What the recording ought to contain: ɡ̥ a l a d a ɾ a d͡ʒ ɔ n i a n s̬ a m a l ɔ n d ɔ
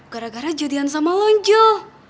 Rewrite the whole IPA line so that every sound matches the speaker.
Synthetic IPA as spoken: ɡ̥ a ɾ a ɡ a ɾ a d͡ʒ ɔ d i a n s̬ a m a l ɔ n d͡ʒ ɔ